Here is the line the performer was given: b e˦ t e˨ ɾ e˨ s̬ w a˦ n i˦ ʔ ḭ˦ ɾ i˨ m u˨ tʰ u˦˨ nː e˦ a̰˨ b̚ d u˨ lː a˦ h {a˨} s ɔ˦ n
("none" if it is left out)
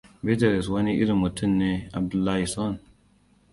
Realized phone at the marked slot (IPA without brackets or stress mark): i˨